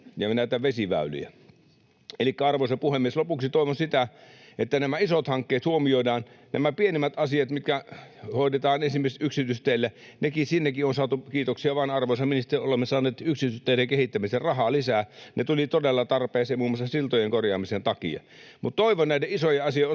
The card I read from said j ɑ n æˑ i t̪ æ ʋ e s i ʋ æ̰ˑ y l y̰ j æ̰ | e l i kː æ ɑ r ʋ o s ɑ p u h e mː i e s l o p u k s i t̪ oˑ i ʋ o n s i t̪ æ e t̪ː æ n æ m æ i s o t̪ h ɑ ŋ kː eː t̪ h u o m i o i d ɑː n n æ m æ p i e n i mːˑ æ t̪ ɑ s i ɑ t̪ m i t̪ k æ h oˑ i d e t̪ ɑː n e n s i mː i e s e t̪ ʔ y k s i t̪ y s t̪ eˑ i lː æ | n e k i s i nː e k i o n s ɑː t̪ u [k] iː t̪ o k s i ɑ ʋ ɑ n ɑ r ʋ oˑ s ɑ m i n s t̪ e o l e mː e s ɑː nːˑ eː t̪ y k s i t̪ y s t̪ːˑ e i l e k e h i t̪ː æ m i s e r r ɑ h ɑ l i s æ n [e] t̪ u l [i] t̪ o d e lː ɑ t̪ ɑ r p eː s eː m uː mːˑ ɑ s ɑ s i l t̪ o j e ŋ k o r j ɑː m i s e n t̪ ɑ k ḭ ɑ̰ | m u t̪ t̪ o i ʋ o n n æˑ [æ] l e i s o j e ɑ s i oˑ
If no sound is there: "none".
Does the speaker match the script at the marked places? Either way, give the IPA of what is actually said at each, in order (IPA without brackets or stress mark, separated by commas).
k, e, i, i